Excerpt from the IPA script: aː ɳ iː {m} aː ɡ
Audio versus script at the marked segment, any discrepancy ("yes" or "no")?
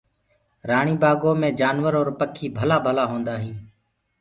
yes